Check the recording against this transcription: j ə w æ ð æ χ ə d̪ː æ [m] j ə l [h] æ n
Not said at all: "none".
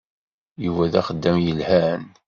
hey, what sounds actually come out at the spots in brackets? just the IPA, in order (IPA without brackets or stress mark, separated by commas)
m, h